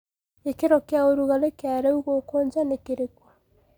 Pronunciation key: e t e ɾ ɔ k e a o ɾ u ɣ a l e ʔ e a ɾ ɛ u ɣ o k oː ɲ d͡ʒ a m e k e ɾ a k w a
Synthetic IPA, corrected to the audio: e k e ɾ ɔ k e a o ɾ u ɣ a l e k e a ɾ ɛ u ɣ o k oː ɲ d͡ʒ a n e k e ɾ e k w a